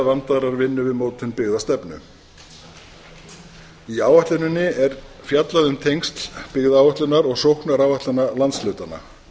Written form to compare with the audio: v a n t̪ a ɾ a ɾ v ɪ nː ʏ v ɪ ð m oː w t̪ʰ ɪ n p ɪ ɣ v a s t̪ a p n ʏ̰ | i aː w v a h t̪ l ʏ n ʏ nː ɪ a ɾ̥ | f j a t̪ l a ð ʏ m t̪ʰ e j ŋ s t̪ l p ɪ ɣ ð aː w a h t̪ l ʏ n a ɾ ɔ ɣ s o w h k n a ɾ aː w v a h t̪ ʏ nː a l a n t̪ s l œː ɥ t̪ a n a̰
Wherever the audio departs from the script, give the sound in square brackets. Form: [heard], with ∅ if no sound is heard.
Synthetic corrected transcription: v a n t̪ a ɾ a ɾ v ɪ nː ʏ v ɪ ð m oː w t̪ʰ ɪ n p ɪ ɣ [ð] a s t̪ [ɛ] p n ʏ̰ | i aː w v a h t̪ l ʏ n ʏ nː ɪ [ɛ] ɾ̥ | f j a t̪ l a ð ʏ m t̪ʰ e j ŋ s t̪ l p ɪ ɣ ð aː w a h t̪ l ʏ n a ɾ ɔ ɣ s o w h k n a ɾ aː w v a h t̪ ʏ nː a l a n t̪ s l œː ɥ t̪ a n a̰